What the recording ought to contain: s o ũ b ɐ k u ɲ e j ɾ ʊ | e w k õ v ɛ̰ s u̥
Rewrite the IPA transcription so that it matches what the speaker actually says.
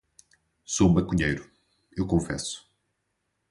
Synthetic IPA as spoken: s o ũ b ɐ k u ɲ e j ɾ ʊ | e w k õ f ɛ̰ s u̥